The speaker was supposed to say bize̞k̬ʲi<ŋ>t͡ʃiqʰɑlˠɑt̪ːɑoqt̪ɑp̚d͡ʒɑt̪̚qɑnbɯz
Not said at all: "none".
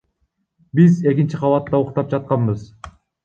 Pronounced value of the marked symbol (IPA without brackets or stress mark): n